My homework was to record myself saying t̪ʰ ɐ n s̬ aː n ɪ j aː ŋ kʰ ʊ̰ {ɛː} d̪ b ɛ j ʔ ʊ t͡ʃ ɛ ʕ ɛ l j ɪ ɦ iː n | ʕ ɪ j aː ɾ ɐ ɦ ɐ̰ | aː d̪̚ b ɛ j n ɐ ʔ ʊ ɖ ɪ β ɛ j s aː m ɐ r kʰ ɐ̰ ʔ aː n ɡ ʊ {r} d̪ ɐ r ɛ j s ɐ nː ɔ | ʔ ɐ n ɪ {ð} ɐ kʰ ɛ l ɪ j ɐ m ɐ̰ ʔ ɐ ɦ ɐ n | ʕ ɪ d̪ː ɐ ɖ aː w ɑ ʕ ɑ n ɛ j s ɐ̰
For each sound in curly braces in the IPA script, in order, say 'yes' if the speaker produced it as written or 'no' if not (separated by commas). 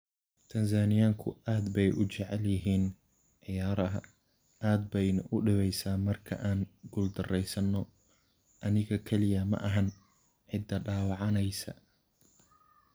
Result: no, no, no